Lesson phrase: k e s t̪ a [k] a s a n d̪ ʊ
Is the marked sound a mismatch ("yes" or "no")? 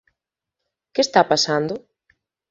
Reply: yes